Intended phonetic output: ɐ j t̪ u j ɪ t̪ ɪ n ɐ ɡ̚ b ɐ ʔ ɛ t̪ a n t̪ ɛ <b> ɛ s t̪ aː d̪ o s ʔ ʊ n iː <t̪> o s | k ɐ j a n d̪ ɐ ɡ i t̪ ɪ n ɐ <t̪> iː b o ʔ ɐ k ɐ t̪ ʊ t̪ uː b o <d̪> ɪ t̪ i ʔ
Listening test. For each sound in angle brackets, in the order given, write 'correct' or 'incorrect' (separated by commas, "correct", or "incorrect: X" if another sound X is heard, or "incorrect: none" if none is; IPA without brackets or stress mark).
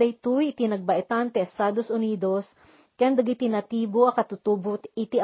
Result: incorrect: none, incorrect: d̪, correct, incorrect: t̪